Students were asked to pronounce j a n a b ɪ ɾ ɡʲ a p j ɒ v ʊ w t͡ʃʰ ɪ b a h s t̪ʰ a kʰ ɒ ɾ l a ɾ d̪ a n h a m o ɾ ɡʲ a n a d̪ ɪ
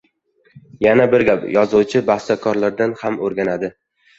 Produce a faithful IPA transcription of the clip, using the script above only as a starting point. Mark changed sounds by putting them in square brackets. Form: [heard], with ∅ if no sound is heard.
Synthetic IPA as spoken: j a n a b ɪ ɾ ɡʲ a p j ɒ [z] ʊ w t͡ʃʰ ɪ b a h s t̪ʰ a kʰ ɒ ɾ l a ɾ d̪ a n h a m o ɾ ɡʲ a n a d̪ ɪ